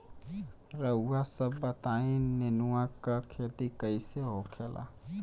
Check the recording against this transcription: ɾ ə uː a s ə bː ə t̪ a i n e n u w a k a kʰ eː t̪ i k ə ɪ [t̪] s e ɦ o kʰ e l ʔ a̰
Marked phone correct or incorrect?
incorrect